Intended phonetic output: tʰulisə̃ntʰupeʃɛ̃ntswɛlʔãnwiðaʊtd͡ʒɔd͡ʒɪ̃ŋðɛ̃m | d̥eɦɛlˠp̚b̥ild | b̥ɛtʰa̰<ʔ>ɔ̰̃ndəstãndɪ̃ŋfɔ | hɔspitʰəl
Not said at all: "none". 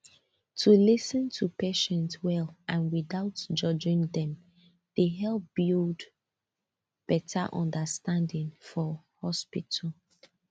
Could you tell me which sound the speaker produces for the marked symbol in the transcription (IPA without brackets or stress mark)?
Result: ʔ